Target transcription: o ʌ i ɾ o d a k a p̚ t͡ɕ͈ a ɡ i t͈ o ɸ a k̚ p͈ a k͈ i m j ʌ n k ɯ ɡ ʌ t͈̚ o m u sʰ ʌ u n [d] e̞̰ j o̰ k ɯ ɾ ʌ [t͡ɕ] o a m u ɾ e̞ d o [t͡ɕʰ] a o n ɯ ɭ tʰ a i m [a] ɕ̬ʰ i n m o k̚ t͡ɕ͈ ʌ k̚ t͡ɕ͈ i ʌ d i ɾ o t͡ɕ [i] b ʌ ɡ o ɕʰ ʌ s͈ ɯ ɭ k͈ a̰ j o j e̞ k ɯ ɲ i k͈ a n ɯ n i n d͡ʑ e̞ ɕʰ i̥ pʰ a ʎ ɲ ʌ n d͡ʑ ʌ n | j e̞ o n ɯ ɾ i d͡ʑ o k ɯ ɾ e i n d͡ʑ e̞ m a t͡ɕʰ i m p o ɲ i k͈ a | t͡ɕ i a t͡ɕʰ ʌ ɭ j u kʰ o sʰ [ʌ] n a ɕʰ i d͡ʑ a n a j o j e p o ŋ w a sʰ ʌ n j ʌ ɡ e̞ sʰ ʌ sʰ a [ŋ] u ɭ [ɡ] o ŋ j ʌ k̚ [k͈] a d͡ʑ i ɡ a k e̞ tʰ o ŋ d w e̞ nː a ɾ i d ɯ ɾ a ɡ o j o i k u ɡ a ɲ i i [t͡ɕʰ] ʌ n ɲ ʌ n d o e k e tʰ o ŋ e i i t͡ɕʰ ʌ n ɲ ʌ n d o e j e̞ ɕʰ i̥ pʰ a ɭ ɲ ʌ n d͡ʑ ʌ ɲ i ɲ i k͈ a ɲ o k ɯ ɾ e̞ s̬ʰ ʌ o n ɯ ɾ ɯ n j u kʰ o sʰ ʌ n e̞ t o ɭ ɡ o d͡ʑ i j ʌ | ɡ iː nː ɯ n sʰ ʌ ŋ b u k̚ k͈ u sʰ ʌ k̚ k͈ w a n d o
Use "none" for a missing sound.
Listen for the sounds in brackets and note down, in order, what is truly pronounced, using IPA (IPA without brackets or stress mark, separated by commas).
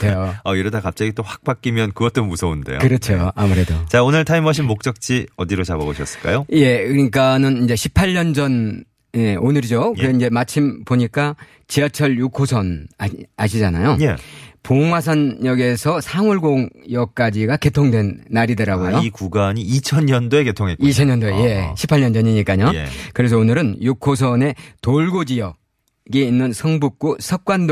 d, t͡ɕʰ, t͡ɕ, ʌ, a, ʌ, ŋ, ɡ, k͈, t͡ɕʰ